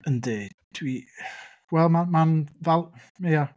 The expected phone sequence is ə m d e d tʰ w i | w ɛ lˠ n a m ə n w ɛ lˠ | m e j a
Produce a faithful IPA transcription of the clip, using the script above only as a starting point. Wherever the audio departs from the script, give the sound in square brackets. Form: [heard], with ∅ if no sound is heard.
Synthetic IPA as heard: ə [n] d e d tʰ w i | w ɛ lˠ [m] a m [a] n [v] ɛ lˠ | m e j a